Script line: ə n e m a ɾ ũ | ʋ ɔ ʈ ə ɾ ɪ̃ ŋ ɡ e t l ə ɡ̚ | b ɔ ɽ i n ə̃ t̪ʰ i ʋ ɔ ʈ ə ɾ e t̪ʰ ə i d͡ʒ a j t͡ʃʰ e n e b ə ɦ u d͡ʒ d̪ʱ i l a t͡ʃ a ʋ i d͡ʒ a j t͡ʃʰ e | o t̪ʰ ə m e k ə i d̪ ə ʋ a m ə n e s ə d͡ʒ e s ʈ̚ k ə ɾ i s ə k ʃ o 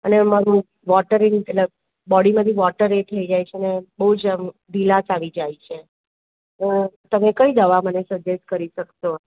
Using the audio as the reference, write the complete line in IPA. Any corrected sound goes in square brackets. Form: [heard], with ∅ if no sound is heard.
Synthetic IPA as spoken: ə n e m a ɾ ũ | ʋ ɔ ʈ ə ɾ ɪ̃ ŋ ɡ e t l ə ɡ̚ | b ɔ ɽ i [m] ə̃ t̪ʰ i ʋ ɔ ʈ ə ɾ e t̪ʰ ə i d͡ʒ a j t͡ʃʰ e n e b ə ɦ u d͡ʒ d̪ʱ i l a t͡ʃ a ʋ i d͡ʒ a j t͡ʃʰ e | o [t̪] ə m e k ə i d̪ ə ʋ a m ə n e s ə d͡ʒ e s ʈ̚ k ə ɾ i [ʃ] ə k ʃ o